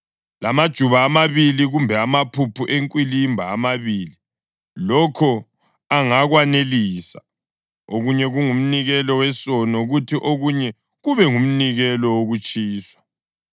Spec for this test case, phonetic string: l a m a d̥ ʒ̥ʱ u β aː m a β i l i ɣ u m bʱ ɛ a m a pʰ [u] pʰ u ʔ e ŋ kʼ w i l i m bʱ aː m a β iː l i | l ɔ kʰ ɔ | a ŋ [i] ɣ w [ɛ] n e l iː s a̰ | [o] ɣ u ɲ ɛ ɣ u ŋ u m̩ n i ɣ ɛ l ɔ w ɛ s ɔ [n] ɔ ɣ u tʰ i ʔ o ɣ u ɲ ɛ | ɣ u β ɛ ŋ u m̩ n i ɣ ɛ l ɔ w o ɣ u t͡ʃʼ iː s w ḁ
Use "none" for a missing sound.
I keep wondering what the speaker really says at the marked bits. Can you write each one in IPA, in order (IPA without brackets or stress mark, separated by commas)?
u, a, a, o, n